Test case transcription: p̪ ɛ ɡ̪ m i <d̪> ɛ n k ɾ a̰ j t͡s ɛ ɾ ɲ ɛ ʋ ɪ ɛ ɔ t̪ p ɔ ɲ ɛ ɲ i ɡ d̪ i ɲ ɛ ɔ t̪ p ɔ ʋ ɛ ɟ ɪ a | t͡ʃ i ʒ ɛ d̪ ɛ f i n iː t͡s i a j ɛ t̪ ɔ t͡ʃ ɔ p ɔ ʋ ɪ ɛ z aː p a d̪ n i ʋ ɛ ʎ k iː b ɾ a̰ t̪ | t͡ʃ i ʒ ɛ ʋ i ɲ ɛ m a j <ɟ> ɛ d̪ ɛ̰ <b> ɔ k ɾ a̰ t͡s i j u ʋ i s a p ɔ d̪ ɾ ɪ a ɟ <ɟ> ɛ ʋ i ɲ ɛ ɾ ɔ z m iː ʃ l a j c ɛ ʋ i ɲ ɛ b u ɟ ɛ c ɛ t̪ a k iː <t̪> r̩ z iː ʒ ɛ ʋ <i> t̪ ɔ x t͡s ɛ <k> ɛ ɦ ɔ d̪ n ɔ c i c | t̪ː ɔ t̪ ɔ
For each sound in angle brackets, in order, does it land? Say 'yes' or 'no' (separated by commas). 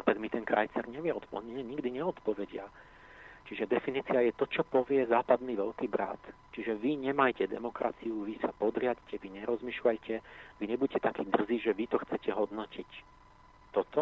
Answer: no, no, no, no, no, yes, no